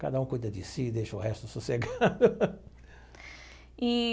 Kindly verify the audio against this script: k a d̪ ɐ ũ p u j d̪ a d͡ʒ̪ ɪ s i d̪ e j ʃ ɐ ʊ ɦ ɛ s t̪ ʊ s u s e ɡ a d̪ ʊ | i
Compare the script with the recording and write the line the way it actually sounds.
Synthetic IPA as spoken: k a d̪ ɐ ũ k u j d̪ ɐ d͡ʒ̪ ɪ s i d̪ e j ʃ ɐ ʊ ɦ ɛ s t̪ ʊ s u s e ɡ a d̪ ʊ | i